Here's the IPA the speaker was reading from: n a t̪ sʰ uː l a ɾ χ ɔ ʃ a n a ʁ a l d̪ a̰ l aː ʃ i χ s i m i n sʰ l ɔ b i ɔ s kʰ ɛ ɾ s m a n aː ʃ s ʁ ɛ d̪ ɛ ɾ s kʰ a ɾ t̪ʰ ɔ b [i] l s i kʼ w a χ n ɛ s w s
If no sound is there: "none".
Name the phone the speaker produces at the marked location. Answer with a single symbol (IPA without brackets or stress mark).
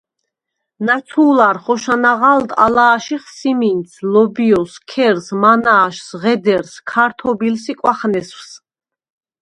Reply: i